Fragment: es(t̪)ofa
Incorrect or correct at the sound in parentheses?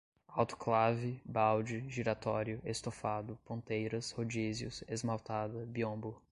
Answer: correct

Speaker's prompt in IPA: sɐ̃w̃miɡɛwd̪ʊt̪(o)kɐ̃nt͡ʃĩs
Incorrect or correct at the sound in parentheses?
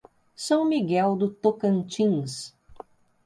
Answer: correct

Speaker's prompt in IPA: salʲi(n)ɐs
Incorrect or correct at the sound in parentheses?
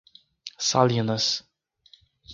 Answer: correct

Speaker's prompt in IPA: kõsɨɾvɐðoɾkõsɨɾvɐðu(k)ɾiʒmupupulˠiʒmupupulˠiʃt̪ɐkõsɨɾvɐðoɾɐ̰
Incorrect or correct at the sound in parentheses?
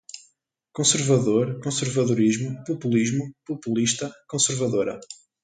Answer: incorrect: none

